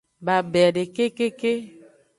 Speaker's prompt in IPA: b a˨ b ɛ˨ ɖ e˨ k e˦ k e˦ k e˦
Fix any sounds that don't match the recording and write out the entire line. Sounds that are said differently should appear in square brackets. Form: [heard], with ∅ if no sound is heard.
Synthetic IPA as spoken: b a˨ b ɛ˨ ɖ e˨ k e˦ k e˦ k e˦